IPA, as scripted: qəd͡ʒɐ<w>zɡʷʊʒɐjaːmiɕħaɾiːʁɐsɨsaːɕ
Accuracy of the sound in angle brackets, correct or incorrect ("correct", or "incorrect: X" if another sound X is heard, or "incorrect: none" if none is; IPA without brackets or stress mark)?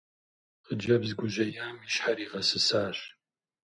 incorrect: b